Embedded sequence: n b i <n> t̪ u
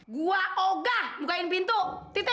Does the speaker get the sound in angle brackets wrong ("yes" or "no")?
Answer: no